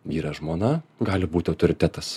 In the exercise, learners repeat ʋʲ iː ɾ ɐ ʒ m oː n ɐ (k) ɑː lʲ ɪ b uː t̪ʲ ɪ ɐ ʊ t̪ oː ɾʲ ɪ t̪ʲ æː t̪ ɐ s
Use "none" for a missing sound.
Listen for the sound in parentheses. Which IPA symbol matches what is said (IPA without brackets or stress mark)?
ɡ